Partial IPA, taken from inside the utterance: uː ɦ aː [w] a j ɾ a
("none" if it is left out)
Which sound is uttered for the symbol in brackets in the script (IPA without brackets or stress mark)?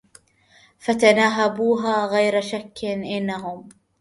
ɣ